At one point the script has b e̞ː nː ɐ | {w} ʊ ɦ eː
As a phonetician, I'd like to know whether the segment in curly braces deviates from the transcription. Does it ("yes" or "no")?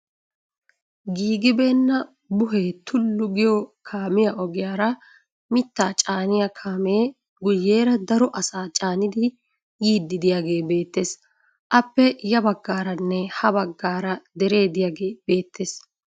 yes